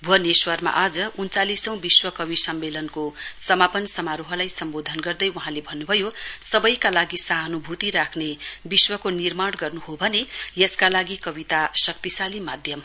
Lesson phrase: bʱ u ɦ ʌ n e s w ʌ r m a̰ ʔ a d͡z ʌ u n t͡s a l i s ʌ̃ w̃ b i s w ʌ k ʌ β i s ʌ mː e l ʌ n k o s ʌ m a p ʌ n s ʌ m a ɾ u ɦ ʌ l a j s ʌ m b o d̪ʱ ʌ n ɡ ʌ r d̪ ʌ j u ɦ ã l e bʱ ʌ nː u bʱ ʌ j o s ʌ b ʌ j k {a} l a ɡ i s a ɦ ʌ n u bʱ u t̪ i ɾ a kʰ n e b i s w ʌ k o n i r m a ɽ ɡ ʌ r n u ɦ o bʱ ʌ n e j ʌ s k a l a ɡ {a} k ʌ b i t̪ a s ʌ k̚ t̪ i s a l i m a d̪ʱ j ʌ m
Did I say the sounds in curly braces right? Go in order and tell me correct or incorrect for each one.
correct, incorrect

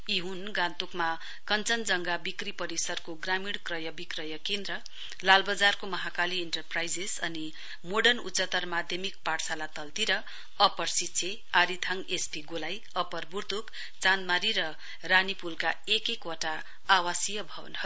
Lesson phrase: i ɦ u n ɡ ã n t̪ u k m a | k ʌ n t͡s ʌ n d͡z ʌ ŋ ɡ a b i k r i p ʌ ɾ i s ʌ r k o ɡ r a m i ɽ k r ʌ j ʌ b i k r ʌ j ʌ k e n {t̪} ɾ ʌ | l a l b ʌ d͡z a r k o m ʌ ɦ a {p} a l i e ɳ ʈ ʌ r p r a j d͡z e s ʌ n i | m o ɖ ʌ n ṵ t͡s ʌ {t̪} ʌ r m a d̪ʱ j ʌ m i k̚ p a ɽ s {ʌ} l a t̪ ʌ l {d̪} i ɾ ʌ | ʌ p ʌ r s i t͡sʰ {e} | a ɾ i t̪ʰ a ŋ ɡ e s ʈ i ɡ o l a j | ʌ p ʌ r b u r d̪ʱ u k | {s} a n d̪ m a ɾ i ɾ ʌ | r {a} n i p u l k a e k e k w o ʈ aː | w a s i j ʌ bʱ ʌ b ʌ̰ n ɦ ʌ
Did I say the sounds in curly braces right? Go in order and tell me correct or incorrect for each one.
incorrect, incorrect, correct, incorrect, incorrect, correct, incorrect, correct

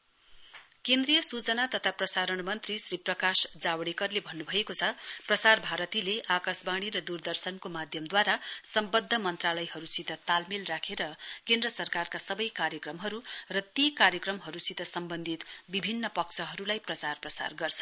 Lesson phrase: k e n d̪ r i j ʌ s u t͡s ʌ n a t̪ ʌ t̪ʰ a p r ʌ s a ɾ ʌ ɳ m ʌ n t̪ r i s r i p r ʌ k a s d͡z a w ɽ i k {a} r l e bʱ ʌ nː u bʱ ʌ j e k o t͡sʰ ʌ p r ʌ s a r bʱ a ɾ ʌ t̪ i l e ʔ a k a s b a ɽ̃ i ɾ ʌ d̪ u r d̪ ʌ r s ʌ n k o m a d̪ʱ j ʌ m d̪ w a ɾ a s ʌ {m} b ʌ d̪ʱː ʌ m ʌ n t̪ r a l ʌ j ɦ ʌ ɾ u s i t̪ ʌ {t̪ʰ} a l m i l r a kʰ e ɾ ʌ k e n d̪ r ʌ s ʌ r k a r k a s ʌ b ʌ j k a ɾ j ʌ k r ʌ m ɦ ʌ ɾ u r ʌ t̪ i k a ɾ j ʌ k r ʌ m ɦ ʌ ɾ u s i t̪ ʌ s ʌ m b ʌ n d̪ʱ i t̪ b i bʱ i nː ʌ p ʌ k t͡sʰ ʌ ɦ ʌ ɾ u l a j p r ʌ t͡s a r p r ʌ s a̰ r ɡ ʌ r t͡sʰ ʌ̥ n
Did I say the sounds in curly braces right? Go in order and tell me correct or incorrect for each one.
incorrect, correct, incorrect

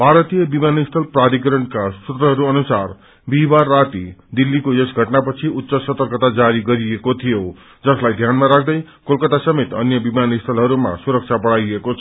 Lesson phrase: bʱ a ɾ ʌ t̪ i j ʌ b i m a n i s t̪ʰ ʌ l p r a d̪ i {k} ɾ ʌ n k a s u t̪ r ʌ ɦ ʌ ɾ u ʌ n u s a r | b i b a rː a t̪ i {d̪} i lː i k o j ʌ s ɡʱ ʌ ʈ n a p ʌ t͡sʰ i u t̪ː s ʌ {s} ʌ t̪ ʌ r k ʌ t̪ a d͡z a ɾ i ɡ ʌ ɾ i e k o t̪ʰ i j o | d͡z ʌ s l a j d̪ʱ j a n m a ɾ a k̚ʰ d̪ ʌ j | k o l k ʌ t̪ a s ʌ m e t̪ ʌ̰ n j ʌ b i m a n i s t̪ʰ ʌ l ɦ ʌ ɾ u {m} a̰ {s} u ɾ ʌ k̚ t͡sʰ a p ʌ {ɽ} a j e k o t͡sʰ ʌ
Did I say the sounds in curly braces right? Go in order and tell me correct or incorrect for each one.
correct, correct, correct, correct, correct, correct

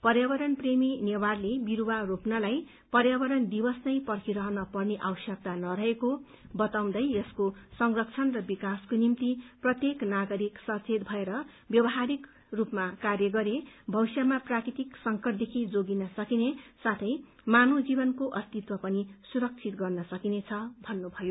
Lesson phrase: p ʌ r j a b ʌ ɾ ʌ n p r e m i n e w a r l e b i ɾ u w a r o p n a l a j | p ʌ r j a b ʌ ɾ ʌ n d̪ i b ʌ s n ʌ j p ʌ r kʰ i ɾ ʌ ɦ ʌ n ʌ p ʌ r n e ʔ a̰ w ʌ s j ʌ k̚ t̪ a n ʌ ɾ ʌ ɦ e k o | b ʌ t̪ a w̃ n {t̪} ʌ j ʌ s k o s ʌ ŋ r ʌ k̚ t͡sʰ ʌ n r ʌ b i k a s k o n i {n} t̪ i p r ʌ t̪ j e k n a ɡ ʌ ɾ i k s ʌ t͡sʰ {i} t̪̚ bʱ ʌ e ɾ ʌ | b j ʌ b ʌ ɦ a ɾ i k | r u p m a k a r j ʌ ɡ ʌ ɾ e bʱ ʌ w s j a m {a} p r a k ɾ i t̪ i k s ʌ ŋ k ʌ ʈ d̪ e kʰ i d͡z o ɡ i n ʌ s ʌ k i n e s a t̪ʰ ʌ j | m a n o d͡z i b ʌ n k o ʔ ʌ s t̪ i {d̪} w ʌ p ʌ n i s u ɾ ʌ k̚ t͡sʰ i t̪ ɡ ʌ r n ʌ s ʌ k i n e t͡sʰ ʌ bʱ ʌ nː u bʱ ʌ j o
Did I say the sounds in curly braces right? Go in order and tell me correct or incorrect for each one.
incorrect, incorrect, incorrect, correct, incorrect

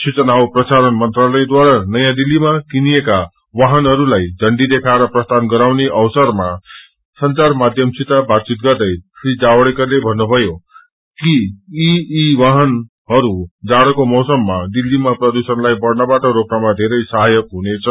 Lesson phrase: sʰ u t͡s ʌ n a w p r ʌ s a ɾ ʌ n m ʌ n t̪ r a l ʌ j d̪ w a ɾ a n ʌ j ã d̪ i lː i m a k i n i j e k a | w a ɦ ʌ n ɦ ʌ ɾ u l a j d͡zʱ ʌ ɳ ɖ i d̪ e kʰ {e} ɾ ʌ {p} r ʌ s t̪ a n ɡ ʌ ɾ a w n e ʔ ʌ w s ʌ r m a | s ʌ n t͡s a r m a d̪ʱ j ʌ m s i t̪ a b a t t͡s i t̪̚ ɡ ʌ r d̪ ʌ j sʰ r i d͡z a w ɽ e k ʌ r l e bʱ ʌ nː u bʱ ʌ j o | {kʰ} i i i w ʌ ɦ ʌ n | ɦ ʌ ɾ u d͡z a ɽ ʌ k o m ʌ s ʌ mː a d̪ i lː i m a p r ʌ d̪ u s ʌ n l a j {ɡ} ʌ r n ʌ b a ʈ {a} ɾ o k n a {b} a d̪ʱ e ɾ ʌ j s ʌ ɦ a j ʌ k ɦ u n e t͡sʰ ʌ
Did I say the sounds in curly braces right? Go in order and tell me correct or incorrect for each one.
incorrect, correct, incorrect, incorrect, incorrect, incorrect

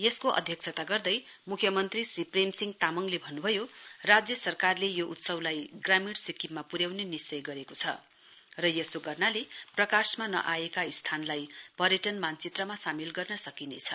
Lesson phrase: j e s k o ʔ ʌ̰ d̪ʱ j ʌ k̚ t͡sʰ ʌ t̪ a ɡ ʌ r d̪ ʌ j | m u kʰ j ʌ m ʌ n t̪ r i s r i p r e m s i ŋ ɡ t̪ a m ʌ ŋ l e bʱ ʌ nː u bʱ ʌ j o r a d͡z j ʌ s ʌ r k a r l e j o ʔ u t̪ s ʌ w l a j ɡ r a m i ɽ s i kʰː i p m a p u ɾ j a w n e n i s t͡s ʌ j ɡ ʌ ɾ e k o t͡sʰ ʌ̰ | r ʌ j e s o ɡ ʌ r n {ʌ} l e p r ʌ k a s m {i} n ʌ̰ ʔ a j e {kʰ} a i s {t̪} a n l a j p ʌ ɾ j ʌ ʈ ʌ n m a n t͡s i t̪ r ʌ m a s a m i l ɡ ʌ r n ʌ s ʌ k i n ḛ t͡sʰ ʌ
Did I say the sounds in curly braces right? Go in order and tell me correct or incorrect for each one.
incorrect, incorrect, incorrect, incorrect

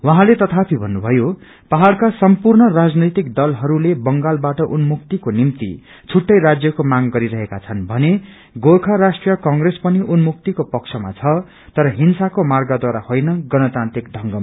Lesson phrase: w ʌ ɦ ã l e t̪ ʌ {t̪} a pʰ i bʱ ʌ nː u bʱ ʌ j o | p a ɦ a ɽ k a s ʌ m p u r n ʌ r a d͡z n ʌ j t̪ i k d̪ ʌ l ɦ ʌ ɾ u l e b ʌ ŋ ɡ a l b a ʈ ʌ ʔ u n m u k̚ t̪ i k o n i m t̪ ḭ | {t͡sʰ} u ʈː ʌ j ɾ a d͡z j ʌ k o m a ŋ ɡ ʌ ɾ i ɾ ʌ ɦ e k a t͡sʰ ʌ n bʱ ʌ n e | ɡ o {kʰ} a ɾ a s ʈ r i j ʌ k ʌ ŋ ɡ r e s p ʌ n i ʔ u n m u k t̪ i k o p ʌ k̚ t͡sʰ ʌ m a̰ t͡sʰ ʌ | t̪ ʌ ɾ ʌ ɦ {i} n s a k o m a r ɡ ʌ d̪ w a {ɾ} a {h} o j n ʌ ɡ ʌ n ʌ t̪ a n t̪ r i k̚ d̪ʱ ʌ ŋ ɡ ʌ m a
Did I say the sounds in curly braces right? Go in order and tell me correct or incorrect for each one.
incorrect, correct, correct, correct, correct, correct

